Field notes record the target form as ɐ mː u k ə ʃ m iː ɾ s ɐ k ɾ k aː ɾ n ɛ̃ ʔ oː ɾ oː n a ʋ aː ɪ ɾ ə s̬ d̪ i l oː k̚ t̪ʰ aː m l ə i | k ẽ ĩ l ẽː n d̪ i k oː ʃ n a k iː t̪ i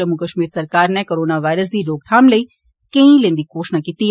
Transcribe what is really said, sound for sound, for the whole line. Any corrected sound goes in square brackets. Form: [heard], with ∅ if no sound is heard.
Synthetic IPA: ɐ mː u k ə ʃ m iː ɾ s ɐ [∅] ɾ k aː ɾ n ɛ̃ [k] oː ɾ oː n a ʋ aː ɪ ɾ ə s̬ d̪ i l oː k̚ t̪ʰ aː m l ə i | k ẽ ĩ l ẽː n d̪ i k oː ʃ n a k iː t̪ i